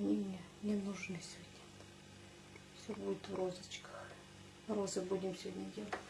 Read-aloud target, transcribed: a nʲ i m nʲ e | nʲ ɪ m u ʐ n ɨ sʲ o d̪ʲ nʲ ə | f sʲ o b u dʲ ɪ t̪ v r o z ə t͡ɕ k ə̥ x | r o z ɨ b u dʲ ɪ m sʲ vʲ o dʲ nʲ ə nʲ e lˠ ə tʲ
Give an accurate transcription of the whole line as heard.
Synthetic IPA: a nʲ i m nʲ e | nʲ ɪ n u ʐ n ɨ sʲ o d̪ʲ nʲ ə | f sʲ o b u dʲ ɪ t̪ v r o z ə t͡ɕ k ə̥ x | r o z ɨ b u dʲ ɪ m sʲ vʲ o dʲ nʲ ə dʲ e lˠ ə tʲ